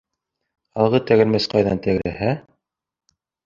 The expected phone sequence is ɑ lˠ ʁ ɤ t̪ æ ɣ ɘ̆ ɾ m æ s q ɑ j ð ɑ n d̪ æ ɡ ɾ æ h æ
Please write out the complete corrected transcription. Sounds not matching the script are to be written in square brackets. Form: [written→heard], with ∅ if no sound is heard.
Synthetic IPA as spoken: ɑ lˠ ʁ ɤ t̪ æ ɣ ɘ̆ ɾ m æ s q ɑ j ð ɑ n [d̪→t̪] æ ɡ ɾ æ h æ